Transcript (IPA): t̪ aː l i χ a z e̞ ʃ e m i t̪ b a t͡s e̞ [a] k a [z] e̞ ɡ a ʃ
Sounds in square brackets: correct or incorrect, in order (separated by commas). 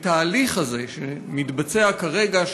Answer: correct, incorrect